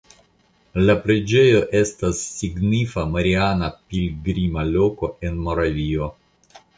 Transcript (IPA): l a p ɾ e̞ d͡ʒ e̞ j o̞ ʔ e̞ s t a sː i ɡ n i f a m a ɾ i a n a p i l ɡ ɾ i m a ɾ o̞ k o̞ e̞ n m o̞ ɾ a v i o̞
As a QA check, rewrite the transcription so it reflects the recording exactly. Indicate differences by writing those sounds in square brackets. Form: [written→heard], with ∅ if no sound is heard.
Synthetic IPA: l a p ɾ e̞ d͡ʒ e̞ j o̞ ʔ e̞ s t a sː i ɡ n i f a m a ɾ i a n a p i l ɡ ɾ i m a [ɾ→l] o̞ k o̞ e̞ n m o̞ ɾ a v i o̞